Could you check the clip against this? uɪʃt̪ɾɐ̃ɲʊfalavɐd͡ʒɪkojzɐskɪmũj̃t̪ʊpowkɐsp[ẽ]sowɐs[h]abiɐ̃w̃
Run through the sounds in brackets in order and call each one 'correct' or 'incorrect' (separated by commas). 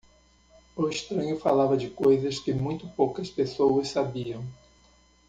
incorrect, incorrect